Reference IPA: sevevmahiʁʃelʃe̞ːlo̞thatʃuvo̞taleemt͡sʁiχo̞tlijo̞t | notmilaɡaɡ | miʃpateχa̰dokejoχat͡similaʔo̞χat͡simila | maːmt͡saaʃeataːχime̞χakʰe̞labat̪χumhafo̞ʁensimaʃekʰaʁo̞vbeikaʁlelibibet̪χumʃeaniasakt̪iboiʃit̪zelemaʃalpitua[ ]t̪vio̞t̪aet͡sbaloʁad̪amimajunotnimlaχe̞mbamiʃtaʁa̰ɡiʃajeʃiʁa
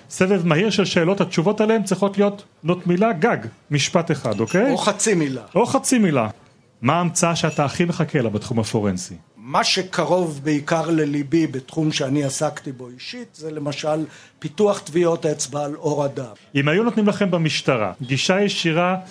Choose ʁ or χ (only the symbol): χ